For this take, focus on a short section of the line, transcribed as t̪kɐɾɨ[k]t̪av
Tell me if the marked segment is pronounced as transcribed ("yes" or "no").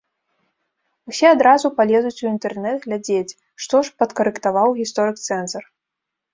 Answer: yes